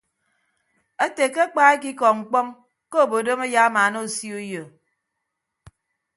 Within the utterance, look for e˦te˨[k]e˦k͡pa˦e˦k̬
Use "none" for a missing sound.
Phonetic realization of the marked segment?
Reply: k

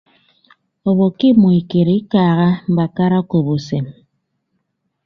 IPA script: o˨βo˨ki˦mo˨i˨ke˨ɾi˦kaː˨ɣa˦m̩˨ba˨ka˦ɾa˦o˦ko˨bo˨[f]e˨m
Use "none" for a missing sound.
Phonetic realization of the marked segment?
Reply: s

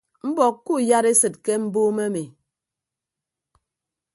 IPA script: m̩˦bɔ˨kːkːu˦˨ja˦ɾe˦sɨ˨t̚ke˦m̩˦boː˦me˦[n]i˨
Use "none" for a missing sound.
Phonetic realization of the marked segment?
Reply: m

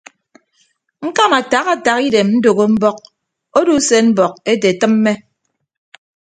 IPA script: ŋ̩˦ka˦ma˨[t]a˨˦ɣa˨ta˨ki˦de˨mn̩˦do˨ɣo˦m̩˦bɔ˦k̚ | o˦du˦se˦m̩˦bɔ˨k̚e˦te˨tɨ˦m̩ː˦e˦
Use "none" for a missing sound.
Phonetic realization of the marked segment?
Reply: t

